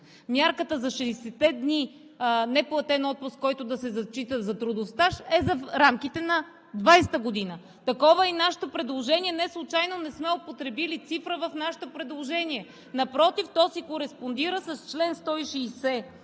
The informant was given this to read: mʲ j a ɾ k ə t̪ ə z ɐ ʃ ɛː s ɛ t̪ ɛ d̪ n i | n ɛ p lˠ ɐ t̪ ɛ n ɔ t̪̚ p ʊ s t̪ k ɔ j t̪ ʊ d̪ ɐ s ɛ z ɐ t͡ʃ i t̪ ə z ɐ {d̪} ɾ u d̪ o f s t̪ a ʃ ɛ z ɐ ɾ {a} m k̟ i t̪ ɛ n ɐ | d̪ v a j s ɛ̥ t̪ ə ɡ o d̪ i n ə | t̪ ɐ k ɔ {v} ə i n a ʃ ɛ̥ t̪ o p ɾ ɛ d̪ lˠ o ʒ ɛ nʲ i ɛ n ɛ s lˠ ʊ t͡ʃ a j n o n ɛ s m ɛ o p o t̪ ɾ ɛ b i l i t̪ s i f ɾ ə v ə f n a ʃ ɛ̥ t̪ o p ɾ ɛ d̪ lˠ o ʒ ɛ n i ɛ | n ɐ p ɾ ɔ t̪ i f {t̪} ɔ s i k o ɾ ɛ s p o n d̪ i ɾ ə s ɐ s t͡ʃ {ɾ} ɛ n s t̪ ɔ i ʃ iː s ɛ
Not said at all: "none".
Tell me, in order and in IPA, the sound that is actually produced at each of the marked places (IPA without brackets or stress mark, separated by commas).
t̪, a, v, t̪, l